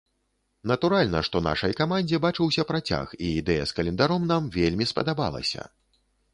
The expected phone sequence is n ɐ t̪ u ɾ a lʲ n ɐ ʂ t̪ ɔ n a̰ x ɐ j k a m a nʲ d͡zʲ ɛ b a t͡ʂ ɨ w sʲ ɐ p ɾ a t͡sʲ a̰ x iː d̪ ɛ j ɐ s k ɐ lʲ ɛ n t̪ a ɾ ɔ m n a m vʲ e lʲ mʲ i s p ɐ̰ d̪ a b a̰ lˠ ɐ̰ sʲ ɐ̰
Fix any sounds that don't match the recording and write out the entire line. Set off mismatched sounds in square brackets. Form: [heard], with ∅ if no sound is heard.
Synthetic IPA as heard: n ɐ t̪ u ɾ a lʲ n ɐ ʂ t̪ ɔ n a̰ [ʂ] ɐ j k a m a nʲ d͡zʲ ɛ b a t͡ʂ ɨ w sʲ ɐ p ɾ a t͡sʲ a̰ x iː d̪ ɛ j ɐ s k ɐ lʲ ɛ n [d̪] a ɾ ɔ m n a m vʲ e lʲ mʲ i s p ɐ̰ d̪ a b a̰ lˠ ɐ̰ sʲ ɐ̰